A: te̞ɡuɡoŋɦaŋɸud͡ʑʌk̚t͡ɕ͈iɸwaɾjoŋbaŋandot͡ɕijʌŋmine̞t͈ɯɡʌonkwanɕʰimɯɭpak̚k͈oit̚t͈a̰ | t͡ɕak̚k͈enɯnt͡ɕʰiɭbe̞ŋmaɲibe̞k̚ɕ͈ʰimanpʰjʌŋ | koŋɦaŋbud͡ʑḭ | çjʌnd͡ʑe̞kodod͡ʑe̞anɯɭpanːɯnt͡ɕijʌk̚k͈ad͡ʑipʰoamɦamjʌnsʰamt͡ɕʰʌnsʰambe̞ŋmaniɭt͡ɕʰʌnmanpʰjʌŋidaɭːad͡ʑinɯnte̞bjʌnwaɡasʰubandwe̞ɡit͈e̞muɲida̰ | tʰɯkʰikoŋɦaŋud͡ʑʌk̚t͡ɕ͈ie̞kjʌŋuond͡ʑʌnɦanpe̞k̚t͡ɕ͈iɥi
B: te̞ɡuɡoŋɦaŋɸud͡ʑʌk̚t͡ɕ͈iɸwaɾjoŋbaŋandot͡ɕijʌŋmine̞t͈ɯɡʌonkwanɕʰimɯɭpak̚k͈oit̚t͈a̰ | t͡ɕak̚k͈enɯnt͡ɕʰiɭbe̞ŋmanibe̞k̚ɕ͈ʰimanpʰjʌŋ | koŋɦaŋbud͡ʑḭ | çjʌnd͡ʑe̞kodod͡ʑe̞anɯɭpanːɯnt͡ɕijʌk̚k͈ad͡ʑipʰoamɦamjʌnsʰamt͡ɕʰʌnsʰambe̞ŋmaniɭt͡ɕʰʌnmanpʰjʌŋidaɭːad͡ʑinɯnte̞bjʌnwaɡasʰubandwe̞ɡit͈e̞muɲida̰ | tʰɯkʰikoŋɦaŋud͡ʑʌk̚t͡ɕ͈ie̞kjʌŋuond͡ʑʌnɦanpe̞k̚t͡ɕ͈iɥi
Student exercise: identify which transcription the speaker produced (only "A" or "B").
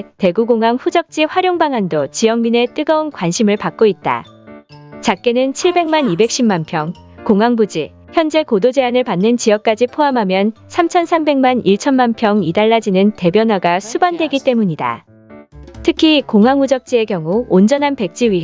B